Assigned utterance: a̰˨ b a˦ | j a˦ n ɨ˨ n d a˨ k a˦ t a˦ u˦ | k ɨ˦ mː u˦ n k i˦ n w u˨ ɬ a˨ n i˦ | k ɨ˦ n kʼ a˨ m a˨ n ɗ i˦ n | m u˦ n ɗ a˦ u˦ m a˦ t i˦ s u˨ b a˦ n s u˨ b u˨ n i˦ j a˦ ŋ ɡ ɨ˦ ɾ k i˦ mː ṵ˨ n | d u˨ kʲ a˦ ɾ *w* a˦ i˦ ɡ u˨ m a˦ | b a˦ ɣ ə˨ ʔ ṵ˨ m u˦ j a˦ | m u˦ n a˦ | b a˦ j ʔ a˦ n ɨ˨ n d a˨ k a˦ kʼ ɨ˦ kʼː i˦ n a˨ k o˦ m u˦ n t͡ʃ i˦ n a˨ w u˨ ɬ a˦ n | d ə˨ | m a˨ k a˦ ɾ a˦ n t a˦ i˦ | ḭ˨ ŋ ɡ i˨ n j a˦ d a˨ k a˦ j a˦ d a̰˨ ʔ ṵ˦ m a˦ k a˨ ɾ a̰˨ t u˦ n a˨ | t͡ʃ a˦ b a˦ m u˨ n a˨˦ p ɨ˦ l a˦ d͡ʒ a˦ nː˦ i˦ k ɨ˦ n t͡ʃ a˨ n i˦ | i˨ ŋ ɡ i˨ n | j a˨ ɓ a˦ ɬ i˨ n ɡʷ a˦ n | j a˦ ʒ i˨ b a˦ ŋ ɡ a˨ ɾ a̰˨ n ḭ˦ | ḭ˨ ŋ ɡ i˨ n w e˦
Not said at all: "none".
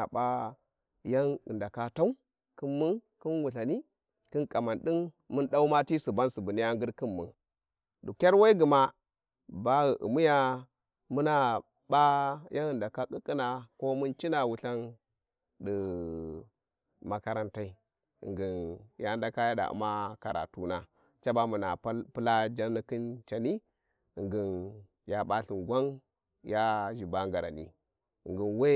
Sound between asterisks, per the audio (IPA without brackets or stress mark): w